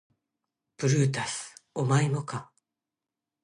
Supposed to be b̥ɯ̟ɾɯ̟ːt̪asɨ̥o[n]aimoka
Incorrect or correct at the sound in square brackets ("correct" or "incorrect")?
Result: incorrect